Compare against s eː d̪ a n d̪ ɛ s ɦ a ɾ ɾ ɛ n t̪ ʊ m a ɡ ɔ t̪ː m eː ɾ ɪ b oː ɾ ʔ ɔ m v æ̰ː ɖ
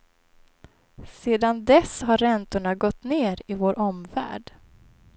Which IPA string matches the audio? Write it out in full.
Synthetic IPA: s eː d̪ a n d̪ ɛ s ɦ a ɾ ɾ ɛ n t̪ ʊ ɳ a ɡ ɔ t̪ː n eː ɾ ɪ v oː ɾ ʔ ɔ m v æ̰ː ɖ